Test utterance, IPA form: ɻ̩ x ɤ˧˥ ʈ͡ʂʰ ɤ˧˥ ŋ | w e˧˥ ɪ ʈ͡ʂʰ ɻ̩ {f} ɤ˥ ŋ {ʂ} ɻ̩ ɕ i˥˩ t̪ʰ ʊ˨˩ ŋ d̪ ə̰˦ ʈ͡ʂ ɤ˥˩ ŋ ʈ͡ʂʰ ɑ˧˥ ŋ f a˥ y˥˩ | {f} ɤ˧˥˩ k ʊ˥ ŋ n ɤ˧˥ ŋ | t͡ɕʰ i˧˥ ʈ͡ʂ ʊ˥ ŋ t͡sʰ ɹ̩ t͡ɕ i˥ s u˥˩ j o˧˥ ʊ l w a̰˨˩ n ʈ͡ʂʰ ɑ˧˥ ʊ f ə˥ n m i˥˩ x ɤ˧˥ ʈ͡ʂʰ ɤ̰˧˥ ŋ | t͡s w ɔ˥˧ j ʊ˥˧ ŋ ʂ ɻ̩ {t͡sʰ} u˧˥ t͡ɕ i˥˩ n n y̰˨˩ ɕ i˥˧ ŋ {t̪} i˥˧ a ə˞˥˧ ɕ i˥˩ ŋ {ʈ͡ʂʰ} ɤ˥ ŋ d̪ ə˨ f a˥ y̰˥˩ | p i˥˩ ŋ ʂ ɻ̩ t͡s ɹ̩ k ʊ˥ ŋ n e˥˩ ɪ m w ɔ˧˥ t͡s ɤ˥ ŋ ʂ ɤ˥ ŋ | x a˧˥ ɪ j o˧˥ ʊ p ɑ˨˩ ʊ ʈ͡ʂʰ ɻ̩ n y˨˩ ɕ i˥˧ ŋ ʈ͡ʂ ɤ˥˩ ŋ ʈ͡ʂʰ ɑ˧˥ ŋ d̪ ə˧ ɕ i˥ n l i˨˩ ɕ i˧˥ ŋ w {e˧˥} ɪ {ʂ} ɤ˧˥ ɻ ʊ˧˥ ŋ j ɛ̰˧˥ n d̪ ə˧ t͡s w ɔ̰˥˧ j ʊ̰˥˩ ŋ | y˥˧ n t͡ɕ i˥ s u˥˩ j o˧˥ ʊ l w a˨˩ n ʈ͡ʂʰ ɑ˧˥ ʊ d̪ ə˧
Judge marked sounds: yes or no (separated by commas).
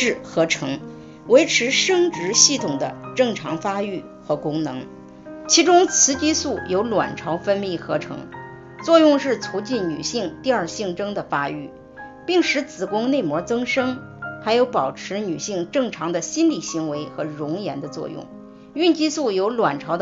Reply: no, no, no, yes, yes, no, yes, no